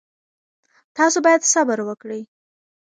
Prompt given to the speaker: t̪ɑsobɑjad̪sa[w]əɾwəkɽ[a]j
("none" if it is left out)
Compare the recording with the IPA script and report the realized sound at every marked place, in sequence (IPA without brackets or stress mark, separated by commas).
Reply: b, ə